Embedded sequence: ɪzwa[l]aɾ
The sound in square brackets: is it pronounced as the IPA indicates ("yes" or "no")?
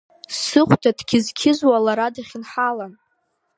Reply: yes